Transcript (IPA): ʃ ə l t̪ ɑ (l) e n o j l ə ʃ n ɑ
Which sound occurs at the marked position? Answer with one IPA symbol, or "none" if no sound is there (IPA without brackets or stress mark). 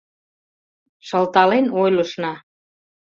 l